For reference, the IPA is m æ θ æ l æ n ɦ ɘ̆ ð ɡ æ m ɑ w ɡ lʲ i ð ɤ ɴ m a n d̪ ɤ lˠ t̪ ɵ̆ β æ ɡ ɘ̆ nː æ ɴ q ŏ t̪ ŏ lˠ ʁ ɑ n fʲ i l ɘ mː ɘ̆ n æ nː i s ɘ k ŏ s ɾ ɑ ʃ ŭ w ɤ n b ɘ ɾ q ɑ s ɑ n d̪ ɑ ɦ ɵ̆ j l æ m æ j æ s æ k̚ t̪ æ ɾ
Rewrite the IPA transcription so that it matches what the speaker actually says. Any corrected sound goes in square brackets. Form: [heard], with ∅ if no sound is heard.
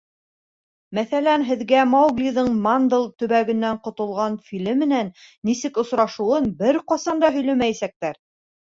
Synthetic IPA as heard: m æ θ æ l æ n ɦ ɘ̆ ð ɡ æ m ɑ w ɡ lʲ i ð ɤ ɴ m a n d̪ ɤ lˠ t̪ ɵ̆ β æ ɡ ɘ̆ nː æ ɴ q ŏ t̪ ŏ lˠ ʁ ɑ n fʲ i l ɘ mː ɘ̆ n æ nː i s ɘ k ŏ s ɾ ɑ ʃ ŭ w ɤ n b ɘ ɾ q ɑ s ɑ n d̪ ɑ ɦ ɵ̆ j l æ m æ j æ s æ k̚ t̪ æ ɾ